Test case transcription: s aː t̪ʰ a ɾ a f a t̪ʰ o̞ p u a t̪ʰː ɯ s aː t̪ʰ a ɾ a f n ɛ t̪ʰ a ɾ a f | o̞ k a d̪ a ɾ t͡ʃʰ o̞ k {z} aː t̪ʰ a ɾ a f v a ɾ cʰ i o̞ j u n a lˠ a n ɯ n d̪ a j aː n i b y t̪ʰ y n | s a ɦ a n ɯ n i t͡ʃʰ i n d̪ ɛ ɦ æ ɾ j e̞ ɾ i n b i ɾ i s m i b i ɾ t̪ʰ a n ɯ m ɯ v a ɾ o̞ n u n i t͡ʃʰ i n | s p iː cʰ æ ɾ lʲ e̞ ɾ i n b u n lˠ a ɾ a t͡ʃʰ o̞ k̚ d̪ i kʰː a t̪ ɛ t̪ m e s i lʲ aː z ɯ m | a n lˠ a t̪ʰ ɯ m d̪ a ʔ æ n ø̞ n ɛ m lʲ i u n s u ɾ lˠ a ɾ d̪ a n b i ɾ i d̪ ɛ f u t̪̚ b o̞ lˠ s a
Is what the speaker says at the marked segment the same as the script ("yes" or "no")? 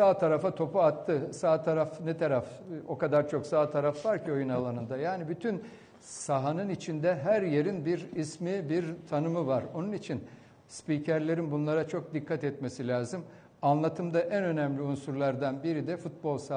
no